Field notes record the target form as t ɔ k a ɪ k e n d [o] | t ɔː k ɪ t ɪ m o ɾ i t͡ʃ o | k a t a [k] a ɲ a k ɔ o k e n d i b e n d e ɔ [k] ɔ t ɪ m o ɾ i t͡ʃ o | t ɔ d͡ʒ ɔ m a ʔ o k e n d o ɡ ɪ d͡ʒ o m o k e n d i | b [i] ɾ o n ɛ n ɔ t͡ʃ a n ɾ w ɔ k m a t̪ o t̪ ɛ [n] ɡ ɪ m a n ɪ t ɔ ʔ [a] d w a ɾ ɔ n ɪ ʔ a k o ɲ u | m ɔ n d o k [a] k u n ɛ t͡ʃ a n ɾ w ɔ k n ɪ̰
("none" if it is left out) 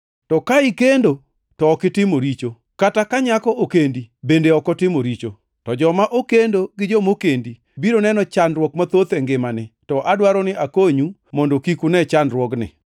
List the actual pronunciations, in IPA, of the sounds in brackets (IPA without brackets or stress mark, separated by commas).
o, k, k, i, ŋ, a, i